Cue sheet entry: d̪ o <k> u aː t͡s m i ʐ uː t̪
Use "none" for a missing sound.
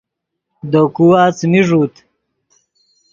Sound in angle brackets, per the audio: k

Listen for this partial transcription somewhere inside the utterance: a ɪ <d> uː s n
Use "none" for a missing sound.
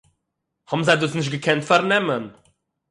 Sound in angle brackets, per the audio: d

